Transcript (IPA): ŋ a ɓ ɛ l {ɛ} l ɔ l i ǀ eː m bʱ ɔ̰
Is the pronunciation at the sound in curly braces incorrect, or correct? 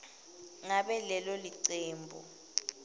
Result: correct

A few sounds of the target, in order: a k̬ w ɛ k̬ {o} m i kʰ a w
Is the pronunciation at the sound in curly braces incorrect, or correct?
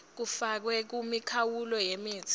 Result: incorrect: u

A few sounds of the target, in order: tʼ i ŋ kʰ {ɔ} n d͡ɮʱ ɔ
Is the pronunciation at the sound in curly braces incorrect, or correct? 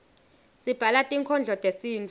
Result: correct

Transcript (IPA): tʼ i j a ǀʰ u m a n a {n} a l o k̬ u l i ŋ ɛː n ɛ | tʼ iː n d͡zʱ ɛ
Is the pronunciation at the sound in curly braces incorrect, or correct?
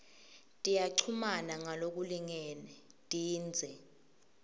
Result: incorrect: ŋ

